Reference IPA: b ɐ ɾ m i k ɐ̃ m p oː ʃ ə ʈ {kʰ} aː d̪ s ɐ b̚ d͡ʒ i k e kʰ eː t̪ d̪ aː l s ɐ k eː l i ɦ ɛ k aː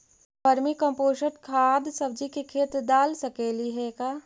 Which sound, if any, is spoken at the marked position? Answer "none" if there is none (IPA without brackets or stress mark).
kʰ